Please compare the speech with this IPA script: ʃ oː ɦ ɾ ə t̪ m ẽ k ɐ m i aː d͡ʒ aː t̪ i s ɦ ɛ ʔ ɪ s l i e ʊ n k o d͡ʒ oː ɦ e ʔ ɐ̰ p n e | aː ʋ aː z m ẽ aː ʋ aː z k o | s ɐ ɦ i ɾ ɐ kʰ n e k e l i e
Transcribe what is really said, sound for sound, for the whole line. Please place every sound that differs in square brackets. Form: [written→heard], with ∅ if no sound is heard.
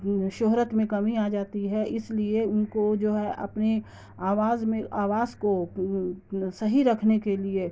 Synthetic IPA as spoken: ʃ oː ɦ ɾ ə t̪ m ẽ k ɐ m i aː d͡ʒ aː t̪ i [s→∅] ɦ ɛ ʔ ɪ s l i e ʊ n k o d͡ʒ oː ɦ [e→ɛ] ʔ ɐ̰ p n e | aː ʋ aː z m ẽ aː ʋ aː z k o | s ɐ ɦ i ɾ ɐ kʰ n e k e l i e